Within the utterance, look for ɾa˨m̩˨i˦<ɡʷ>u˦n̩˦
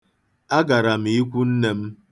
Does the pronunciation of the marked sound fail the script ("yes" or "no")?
yes